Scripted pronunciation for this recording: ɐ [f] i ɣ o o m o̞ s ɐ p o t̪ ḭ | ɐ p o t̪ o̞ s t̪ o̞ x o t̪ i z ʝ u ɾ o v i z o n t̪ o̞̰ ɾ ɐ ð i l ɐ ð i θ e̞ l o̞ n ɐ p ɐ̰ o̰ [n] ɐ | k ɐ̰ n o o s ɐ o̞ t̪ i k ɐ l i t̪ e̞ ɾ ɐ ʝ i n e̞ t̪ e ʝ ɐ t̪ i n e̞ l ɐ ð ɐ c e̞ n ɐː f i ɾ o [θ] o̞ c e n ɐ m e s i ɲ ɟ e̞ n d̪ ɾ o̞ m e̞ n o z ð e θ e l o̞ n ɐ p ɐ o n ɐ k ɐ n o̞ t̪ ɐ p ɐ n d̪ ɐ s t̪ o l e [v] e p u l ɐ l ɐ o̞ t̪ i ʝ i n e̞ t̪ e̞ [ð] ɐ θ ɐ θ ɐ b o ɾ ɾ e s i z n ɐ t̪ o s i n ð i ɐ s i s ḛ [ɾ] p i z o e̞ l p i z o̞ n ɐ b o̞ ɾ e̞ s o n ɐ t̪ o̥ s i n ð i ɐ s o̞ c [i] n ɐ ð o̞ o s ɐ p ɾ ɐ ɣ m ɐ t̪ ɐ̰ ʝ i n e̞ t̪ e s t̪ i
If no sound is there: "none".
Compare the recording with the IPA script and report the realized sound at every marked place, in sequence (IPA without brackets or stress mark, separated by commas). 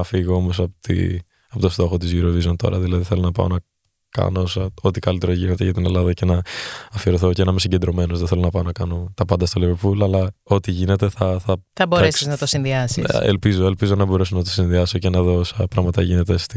f, n, θ, v, θ, l, e